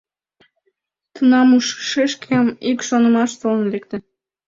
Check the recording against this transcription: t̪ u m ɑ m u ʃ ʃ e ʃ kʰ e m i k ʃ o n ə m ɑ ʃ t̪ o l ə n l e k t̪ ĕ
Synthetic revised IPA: t̪ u n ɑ m u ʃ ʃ e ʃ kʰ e m i k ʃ o n ə m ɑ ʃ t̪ o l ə n l e k t̪ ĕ